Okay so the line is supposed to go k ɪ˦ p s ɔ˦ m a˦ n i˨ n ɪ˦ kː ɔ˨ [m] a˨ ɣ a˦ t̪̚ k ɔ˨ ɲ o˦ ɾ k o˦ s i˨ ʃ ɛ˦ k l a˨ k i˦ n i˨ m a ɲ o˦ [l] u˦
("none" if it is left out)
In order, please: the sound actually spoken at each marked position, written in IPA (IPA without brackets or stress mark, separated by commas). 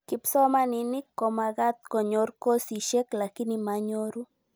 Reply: m, ɾ